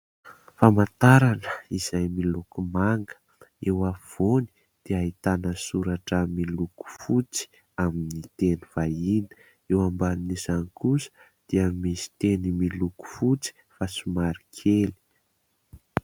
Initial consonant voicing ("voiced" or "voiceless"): voiceless